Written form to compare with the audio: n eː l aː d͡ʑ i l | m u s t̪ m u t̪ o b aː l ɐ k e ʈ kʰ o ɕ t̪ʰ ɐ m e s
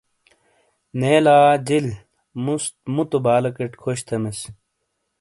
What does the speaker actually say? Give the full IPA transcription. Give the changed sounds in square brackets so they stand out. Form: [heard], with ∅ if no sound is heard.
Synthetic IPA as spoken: n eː l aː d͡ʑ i l | m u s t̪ m u t̪ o b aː l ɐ k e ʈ kʰ o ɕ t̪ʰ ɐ m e s